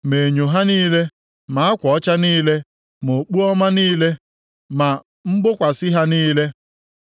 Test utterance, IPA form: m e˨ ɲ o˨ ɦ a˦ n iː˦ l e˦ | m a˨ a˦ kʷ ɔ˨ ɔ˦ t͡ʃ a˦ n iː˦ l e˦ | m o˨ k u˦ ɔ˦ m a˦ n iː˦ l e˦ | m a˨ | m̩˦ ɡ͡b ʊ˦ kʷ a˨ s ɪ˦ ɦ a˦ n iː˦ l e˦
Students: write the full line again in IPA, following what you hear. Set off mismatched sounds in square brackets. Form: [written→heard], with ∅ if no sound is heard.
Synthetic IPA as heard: m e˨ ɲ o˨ ɦ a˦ n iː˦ l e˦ | m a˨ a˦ kʷ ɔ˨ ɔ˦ t͡ʃ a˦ n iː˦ l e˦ | m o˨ [k→k͡p] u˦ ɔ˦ m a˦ n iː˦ l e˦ | m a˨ | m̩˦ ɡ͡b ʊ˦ kʷ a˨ s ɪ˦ ɦ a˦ n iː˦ l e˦